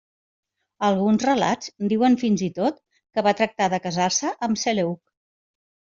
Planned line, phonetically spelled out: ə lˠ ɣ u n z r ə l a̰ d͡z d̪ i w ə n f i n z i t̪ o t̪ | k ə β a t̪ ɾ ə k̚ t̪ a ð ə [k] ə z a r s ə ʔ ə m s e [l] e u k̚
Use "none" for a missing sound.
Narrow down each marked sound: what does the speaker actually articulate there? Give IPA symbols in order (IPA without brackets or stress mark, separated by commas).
k, l